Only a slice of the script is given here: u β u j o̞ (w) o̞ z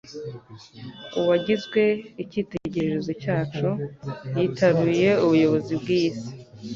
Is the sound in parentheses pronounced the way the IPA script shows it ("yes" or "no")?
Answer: no